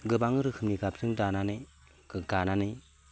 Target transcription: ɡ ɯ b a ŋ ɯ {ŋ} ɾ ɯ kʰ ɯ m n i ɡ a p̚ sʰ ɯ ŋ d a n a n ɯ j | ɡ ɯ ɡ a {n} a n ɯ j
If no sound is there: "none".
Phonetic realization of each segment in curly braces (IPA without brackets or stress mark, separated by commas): none, n